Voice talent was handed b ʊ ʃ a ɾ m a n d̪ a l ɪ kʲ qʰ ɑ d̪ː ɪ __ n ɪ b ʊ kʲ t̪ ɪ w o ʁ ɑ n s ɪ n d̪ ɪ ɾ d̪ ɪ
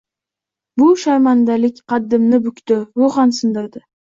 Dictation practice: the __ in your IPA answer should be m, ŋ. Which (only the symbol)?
m